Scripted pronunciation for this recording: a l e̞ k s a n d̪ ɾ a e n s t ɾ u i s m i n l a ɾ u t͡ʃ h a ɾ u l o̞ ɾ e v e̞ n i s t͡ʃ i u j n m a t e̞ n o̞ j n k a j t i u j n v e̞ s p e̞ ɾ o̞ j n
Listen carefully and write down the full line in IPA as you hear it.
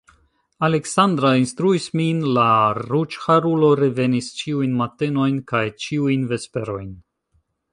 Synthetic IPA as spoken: a l e̞ k s a n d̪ ɾ a i n s t ɾ u i s m i n l a ɾ u t͡ʃ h a ɾ u l o̞ ɾ e v e̞ n i s t͡ʃ i u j n m a t e̞ n o̞ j n k a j t͡ʃ i u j n v e̞ s p e̞ ɾ o̞ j n

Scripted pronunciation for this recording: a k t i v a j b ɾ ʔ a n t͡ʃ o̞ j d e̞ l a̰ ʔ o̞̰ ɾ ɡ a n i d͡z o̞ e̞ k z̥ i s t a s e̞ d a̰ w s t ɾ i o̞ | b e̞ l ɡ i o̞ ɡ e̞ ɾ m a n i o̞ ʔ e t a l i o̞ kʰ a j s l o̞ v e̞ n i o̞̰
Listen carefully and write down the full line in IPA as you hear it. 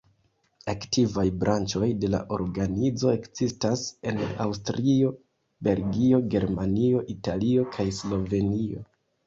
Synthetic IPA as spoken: a k t i v a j b ɾ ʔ a n t͡ʃ o̞ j d e̞ l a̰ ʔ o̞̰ ɾ ɡ a n i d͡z o̞ e̞ k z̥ i s t a s e̞ n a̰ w s t ɾ i o̞ | b e̞ l ɡ i o̞ ɡ e̞ ɾ m a n i o̞ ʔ i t a l i o̞ kʰ a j s l o̞ v e̞ n i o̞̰

